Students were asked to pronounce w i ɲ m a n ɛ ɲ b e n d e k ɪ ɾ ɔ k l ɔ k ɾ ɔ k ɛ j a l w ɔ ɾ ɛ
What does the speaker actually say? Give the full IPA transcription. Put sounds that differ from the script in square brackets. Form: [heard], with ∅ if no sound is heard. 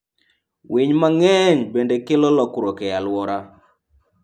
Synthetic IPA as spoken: w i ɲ m a [ŋ] ɛ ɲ b e n d e k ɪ [l] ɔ [∅] l ɔ k ɾ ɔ k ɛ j a l w ɔ ɾ [a]